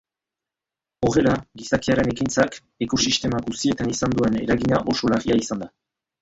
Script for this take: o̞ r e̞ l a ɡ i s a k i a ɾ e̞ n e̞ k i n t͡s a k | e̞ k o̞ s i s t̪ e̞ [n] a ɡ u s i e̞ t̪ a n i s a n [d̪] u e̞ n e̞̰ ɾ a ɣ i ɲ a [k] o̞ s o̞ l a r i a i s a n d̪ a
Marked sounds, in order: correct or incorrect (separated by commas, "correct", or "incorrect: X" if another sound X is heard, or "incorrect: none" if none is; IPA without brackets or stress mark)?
incorrect: m, correct, incorrect: ʔ